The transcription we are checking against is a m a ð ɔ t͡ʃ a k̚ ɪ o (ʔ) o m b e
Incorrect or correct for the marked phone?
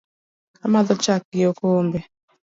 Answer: incorrect: k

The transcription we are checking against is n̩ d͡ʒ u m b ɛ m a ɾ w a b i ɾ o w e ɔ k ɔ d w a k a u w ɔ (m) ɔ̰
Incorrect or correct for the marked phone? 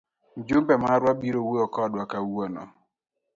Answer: incorrect: n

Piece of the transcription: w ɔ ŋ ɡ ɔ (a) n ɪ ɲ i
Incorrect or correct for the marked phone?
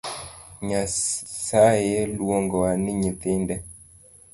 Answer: correct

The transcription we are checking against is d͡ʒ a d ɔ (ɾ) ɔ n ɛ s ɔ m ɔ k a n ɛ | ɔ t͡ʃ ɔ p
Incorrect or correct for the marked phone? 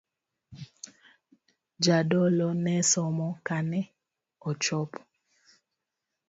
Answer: incorrect: l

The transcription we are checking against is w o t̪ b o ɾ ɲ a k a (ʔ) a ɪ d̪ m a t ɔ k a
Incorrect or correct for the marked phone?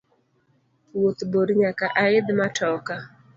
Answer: correct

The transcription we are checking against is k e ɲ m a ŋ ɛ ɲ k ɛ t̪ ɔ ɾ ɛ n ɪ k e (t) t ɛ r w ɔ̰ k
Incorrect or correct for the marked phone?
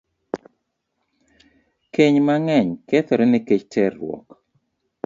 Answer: incorrect: t͡ʃ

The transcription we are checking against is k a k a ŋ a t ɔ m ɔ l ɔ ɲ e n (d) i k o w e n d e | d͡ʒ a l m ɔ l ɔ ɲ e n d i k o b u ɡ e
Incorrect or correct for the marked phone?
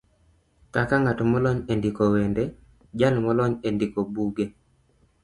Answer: correct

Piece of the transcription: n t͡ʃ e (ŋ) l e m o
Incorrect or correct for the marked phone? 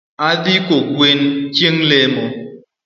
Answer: correct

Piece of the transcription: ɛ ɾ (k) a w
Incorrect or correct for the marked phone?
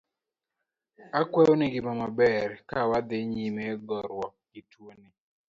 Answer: correct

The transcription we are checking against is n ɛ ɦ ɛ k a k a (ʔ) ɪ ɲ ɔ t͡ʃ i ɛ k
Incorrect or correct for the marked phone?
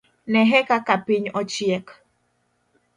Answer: incorrect: p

